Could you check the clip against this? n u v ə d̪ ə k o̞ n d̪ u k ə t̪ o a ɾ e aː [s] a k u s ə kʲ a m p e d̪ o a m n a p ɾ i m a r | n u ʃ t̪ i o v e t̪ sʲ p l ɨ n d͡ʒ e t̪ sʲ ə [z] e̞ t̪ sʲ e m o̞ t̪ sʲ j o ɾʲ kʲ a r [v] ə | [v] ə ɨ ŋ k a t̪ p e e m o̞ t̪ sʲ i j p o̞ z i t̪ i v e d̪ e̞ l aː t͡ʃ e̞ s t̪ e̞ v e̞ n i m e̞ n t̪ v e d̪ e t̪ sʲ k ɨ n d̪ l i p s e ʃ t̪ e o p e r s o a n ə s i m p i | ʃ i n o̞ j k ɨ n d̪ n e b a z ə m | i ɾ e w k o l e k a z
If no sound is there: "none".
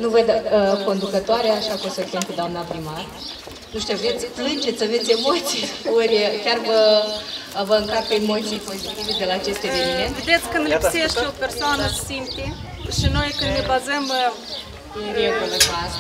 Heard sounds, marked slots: ʃ, v, v, v

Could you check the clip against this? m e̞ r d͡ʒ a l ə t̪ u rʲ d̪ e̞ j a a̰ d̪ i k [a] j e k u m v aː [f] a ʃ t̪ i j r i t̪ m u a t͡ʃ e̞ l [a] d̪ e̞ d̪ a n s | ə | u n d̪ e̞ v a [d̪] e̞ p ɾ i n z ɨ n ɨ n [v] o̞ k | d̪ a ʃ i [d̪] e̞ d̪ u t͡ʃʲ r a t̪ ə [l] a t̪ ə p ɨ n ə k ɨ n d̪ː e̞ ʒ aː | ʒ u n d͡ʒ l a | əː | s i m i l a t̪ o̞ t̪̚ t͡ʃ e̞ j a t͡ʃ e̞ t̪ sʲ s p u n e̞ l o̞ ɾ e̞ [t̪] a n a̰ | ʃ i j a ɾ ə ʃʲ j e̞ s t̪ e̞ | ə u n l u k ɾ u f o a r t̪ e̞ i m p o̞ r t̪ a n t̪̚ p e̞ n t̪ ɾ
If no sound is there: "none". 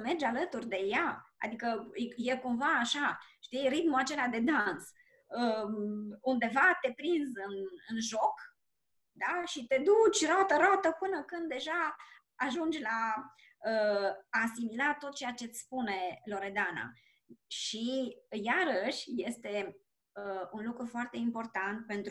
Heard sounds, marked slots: ə, ʃ, a, t̪, ʒ, t̪, ɾ, d̪

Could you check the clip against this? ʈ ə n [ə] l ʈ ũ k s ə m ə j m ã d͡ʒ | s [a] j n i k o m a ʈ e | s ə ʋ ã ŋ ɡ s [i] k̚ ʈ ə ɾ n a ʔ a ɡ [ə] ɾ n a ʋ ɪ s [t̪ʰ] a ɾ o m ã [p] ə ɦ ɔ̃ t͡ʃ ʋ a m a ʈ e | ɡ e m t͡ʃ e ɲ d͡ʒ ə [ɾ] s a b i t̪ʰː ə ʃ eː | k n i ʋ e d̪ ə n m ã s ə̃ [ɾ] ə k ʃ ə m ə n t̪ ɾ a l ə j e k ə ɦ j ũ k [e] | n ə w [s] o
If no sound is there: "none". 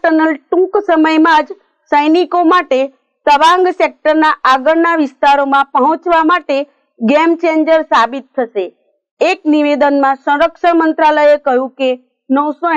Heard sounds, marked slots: ə, ə, e, ə, t̪, p, ɾ, ɾ, e, s

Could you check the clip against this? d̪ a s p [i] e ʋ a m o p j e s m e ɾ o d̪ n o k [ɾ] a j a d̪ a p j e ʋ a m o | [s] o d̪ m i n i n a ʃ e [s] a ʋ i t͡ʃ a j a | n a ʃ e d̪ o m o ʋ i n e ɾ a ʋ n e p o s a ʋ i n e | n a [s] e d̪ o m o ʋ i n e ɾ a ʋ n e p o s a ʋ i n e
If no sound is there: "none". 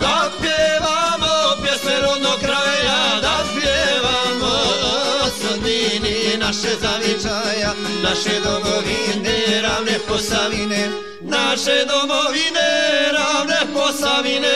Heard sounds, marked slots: j, ɾ, s, z, ʃ

